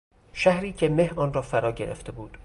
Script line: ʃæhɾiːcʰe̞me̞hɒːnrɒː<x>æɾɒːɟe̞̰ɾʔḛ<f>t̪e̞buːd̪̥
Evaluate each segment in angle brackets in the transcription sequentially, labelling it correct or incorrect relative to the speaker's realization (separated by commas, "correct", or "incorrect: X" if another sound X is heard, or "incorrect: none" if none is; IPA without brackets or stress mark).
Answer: incorrect: f, correct